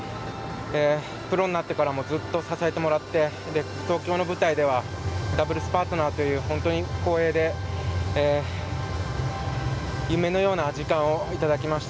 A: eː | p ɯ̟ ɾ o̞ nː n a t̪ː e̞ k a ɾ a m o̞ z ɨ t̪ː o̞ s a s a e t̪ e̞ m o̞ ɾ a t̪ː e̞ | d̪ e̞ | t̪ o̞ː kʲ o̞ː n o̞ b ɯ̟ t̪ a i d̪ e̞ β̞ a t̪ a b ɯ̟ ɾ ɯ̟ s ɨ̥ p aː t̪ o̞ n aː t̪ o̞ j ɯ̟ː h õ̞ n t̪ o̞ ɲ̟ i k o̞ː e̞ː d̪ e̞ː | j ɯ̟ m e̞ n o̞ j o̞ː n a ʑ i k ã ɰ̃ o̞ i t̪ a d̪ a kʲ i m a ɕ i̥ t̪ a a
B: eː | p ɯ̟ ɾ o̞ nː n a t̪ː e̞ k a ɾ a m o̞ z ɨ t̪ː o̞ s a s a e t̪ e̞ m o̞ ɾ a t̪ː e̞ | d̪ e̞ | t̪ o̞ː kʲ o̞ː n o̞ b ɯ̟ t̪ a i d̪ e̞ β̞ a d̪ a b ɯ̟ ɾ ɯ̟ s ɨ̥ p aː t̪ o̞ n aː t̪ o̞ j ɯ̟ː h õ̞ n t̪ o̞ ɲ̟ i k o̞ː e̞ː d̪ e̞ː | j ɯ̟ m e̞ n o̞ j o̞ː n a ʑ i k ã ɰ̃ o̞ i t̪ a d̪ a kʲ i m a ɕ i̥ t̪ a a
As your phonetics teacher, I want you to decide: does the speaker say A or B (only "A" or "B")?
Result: B